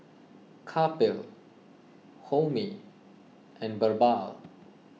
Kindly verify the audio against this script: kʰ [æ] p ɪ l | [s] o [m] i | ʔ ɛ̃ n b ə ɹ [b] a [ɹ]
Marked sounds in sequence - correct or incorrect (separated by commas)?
incorrect, incorrect, correct, correct, incorrect